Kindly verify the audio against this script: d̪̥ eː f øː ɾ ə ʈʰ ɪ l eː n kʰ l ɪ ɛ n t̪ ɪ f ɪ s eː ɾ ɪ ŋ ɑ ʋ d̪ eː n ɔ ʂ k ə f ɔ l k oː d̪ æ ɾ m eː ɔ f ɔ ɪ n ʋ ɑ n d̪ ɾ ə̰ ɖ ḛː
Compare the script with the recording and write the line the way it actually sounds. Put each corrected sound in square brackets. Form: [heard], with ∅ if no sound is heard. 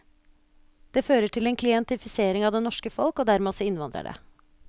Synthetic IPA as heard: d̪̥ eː f øː ɾ ə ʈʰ ɪ l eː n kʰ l ɪ ɛ n t̪ ɪ f ɪ s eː ɾ ɪ ŋ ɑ ʋ d̪ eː n ɔ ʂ k ə f ɔ l k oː d̪ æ ɾ m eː ɔ [s] ɔ ɪ n ʋ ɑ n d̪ ɾ ə̰ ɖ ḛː